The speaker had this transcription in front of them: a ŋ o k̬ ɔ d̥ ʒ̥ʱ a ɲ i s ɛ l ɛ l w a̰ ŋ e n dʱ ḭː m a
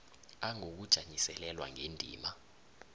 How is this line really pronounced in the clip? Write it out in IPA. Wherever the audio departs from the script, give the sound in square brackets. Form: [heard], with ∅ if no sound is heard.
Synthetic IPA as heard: a ŋ o k̬ [u] d̥ ʒ̥ʱ a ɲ i s ɛ l ɛ l w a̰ ŋ e n dʱ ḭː m a